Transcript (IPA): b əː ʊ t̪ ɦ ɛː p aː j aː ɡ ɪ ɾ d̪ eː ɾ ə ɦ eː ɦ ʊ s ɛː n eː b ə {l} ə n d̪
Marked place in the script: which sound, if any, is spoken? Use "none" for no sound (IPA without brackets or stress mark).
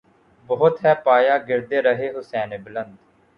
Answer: l